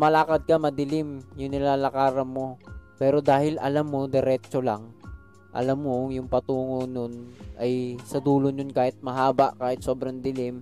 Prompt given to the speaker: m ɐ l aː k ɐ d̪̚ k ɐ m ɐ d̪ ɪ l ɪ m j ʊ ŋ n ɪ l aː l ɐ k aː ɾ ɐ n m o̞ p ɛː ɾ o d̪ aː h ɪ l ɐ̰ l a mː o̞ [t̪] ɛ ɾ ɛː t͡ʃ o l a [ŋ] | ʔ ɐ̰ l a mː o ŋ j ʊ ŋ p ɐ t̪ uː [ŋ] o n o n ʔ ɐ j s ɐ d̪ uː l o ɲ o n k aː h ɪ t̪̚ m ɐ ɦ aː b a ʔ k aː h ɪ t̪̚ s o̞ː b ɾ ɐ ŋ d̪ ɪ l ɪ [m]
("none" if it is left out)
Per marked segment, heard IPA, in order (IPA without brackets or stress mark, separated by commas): d̪, ŋ, ŋ, m